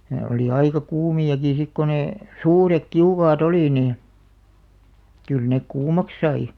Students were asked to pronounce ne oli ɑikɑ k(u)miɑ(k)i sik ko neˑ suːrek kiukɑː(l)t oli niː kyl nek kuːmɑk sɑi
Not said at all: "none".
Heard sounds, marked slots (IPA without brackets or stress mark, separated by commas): uː, k, none